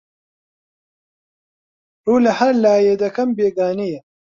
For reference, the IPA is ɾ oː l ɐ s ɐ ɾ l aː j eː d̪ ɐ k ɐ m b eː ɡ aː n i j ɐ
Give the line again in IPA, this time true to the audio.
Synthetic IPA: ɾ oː l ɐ h ɐ ɾ l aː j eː d̪ ɐ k ɐ m b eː ɡ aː n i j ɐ